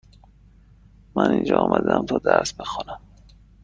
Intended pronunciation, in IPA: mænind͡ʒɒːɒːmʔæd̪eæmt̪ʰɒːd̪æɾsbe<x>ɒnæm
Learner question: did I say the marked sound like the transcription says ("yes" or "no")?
yes